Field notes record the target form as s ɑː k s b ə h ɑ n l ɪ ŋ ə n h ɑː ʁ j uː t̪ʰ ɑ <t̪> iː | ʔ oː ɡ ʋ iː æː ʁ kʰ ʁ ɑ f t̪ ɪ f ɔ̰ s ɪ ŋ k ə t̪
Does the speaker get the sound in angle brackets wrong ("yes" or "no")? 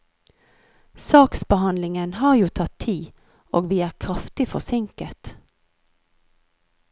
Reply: yes